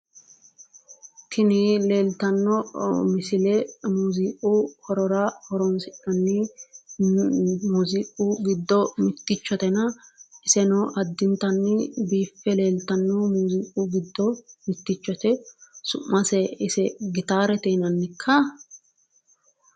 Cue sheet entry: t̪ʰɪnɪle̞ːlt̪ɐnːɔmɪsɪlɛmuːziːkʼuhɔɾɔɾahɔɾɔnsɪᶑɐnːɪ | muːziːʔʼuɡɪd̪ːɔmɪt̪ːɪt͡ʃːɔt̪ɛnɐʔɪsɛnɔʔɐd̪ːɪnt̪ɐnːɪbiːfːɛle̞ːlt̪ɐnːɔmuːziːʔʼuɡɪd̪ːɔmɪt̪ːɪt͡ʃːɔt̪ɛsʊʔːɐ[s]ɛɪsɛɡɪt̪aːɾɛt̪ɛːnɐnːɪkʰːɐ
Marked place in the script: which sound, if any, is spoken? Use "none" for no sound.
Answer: s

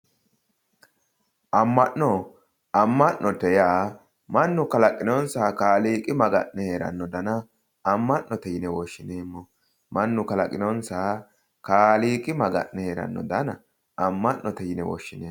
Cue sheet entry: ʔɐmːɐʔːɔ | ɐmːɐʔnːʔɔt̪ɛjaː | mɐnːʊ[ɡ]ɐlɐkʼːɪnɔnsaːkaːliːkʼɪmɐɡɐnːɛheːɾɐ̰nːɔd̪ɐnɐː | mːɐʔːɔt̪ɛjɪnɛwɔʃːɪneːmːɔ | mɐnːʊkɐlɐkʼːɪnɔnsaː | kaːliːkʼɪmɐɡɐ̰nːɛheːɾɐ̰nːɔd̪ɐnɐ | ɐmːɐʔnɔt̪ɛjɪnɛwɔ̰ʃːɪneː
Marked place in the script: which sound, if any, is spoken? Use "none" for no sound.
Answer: k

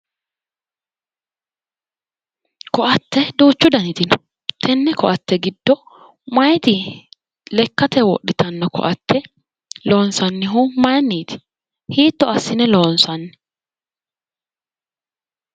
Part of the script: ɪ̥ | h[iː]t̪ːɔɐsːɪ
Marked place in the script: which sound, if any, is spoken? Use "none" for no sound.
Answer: iː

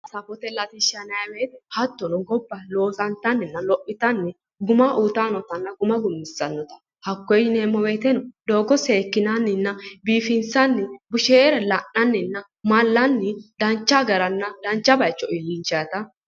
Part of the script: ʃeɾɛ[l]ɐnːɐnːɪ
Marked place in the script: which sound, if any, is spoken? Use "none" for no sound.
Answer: l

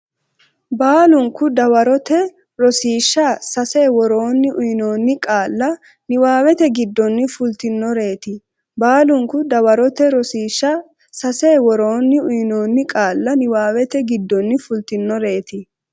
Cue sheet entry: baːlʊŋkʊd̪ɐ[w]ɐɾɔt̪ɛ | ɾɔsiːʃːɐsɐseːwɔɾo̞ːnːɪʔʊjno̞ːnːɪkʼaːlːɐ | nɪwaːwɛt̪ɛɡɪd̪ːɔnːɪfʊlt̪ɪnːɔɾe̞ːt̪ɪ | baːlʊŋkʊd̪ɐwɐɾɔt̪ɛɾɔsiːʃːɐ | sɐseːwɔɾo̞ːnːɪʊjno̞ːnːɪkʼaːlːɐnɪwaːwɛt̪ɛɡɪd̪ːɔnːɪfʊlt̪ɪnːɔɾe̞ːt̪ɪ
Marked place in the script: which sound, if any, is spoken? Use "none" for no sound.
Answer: w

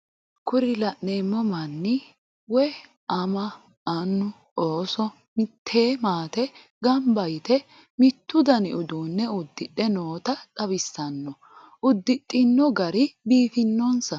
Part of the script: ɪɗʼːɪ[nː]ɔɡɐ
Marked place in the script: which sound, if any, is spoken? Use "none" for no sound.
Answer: nː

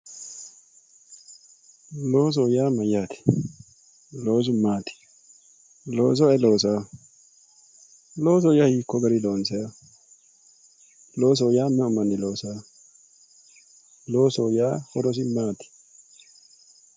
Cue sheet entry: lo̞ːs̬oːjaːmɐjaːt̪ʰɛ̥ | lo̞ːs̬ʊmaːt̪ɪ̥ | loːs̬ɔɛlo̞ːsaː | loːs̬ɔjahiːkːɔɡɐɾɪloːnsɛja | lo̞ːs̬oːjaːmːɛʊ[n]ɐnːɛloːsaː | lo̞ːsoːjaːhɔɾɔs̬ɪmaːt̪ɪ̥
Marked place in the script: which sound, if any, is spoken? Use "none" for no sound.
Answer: m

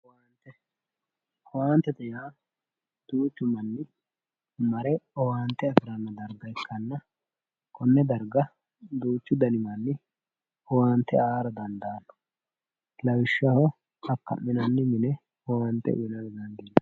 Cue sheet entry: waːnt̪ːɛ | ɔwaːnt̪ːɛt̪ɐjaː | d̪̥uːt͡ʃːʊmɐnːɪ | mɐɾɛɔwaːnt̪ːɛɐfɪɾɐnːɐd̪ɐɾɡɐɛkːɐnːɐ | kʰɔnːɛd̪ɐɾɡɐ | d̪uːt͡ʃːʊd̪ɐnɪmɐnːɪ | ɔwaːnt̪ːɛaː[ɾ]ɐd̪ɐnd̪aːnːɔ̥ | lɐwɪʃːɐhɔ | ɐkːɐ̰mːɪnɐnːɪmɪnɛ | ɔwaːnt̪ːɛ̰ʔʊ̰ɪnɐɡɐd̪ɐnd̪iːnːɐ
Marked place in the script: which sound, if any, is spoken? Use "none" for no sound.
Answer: ɾ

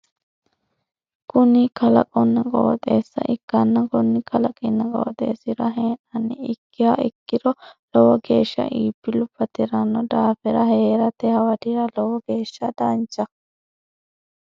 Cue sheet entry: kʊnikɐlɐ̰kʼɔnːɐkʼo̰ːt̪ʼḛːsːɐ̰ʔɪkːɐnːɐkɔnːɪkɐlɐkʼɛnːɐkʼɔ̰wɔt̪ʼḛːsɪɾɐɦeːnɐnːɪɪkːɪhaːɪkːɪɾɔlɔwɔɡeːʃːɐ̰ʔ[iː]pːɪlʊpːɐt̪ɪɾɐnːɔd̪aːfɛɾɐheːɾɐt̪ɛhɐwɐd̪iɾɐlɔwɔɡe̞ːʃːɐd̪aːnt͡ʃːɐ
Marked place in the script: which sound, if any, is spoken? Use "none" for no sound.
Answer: iː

